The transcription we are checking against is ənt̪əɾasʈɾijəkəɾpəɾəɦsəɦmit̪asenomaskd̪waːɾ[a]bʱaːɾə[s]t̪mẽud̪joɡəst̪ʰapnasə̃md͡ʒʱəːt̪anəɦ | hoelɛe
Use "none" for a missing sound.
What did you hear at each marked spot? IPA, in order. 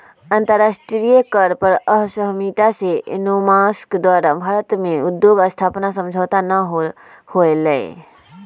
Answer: a, none

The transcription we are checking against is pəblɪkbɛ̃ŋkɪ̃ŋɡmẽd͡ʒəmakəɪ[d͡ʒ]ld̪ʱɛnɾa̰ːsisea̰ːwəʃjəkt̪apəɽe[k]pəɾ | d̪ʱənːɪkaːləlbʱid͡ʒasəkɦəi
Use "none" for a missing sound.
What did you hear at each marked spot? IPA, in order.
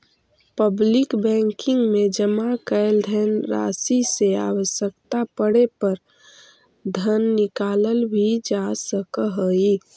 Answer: none, none

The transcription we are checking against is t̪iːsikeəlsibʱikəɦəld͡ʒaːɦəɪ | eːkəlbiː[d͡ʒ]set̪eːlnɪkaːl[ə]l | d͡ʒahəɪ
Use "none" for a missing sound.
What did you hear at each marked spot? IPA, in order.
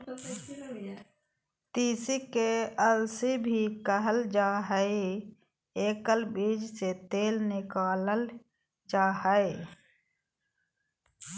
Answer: d͡ʒ, ə

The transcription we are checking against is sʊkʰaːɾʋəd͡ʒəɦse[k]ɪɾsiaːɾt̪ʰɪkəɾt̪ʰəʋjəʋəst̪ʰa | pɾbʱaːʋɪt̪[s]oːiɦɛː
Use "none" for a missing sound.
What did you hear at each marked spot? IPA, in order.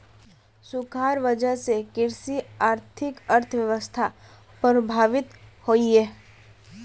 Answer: k, h

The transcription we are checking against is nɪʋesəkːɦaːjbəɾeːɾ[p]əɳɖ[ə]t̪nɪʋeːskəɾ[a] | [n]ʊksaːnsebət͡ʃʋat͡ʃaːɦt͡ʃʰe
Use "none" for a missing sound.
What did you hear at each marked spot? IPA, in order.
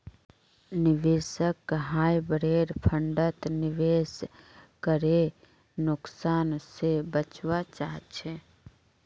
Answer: pʰ, ə, e, n

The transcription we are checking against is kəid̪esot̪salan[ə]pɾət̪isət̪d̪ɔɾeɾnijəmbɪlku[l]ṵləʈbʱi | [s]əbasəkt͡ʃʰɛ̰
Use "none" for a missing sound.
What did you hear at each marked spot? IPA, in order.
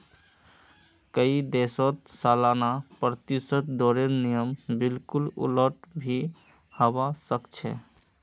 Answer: a, l, h

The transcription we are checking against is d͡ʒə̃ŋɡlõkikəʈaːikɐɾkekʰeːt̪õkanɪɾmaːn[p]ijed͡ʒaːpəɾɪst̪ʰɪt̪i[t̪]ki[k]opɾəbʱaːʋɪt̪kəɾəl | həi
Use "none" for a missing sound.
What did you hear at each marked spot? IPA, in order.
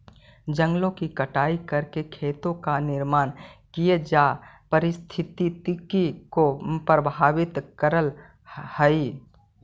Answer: k, t̪, k

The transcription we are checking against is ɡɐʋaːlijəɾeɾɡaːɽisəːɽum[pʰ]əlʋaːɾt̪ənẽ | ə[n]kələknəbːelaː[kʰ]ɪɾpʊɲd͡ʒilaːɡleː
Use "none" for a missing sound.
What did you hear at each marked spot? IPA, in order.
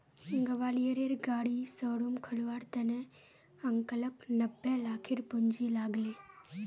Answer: kʰ, ŋ, kʰ

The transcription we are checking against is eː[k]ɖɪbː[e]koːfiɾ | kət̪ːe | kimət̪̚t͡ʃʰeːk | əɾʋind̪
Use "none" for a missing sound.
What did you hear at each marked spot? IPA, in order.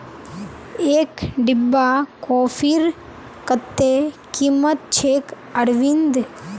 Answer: k, a

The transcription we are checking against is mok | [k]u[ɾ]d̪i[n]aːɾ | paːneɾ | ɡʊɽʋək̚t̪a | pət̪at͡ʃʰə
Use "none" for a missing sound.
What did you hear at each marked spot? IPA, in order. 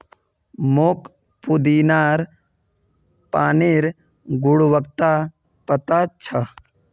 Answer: p, none, n

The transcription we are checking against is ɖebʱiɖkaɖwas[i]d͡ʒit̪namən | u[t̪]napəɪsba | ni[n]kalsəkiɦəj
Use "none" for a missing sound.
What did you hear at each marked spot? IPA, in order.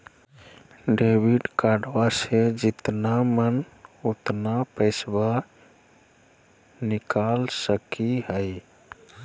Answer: e, t̪, none

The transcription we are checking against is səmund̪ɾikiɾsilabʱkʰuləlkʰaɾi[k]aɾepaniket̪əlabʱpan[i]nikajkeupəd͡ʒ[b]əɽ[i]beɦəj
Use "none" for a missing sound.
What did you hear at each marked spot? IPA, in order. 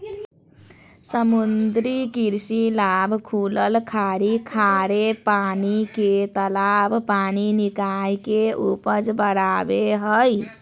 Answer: kʰ, i, b, a

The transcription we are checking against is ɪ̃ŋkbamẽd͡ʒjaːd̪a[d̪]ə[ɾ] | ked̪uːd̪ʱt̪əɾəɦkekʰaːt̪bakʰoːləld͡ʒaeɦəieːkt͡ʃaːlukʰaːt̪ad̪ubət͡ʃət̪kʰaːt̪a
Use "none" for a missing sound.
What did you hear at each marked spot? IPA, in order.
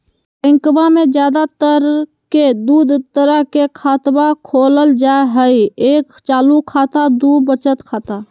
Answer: t̪, ɾ

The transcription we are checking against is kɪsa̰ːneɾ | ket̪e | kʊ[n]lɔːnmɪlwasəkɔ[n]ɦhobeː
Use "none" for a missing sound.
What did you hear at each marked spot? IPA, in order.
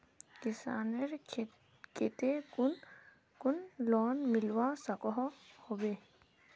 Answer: n, none

